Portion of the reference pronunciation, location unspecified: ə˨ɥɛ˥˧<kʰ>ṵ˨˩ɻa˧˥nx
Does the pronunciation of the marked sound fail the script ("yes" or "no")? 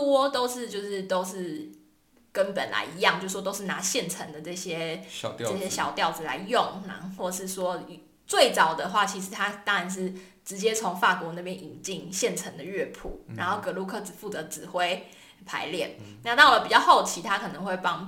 yes